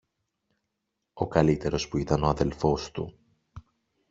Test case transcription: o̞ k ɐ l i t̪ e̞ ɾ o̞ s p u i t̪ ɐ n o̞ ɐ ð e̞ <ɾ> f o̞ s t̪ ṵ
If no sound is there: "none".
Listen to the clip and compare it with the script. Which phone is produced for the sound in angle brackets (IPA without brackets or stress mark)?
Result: l